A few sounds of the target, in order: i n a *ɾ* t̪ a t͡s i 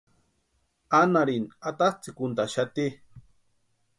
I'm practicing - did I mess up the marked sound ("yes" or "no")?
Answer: yes